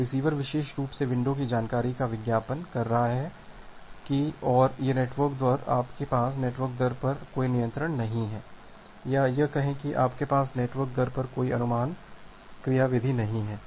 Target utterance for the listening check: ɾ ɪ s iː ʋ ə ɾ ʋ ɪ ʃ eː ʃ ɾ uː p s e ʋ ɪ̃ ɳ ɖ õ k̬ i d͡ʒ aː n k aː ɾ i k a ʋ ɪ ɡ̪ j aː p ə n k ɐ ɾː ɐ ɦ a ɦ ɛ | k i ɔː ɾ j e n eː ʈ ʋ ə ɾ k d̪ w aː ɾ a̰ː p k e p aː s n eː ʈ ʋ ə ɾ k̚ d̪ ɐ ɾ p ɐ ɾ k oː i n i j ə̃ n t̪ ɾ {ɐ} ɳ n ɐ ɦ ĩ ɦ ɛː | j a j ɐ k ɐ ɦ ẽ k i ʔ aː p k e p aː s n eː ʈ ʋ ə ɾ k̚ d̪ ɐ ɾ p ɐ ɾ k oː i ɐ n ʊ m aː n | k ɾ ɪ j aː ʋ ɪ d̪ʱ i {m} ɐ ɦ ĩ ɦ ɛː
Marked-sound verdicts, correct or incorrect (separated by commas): incorrect, incorrect